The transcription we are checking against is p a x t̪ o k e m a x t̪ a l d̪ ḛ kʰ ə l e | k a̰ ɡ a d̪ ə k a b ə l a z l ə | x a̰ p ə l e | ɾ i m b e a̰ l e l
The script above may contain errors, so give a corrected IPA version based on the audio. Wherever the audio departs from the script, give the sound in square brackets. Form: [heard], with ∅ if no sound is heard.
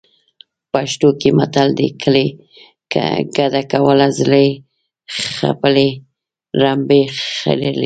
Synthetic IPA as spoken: p a [ʃ] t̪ o k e m a [∅] t̪ a l d̪ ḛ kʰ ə l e | k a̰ ɡ a d̪ [a] k a [w] ə l a z l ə | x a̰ p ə l e | ɾ [a] m b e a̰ l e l